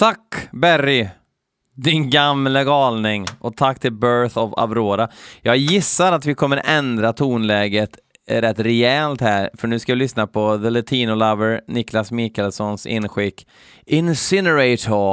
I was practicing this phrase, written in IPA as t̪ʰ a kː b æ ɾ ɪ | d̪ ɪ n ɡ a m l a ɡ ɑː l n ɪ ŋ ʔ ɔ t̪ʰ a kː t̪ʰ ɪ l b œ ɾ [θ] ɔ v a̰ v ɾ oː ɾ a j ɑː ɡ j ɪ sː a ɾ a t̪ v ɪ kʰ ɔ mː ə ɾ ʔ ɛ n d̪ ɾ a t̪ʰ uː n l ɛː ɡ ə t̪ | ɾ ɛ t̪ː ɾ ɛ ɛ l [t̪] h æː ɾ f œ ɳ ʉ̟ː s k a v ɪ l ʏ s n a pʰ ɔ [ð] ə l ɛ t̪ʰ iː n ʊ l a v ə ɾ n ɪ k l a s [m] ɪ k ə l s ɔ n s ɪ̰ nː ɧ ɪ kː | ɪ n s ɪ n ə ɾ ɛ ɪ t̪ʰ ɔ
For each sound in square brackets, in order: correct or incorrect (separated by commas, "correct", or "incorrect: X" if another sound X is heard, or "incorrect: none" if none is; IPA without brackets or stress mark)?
correct, correct, correct, correct